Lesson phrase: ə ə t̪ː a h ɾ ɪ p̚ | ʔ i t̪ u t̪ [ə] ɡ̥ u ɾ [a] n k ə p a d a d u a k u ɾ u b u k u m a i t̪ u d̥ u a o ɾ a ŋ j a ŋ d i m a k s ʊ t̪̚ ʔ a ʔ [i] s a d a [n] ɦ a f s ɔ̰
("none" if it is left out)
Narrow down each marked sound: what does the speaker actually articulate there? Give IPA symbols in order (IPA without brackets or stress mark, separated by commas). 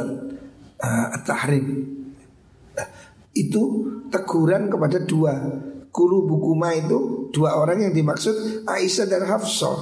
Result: ə, a, i, n